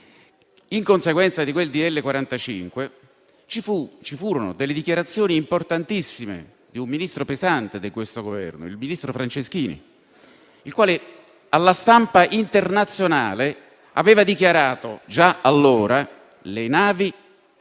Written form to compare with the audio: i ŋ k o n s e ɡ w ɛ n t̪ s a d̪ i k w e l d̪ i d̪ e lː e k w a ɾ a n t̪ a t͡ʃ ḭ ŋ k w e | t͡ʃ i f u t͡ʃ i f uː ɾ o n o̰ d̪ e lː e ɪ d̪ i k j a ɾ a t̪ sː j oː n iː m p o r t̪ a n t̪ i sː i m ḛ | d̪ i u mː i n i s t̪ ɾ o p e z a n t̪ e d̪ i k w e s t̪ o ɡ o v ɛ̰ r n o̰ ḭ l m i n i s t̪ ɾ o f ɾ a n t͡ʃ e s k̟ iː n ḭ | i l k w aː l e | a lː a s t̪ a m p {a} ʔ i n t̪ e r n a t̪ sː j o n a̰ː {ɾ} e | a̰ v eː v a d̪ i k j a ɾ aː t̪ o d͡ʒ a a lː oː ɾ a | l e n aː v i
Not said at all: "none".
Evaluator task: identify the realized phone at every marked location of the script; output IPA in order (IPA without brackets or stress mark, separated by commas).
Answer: a, l